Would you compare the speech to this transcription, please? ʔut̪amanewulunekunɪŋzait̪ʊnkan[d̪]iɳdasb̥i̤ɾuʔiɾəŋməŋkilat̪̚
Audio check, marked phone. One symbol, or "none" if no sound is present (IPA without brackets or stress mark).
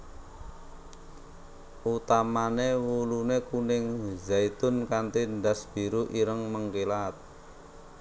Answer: t̪